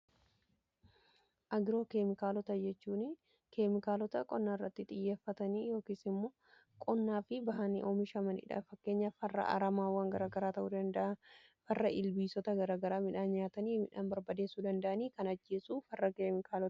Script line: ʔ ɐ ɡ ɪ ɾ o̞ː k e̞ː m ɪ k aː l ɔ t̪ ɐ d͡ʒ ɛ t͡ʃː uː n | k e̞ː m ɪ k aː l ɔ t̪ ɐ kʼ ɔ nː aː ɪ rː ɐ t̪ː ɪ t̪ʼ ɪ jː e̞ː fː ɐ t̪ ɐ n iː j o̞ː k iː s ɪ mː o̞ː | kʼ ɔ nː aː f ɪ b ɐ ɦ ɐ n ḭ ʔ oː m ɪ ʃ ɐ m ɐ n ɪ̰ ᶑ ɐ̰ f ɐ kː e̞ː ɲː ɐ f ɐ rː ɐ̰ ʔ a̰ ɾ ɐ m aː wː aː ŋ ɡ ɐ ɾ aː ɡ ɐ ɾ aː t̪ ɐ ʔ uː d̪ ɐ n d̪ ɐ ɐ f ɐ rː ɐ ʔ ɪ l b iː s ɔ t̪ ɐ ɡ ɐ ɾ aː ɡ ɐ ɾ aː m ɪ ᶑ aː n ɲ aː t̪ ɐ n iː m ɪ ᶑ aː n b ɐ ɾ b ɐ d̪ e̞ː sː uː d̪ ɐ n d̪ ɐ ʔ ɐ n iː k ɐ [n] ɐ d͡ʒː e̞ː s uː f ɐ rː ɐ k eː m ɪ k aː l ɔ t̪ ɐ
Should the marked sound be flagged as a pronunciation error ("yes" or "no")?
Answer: no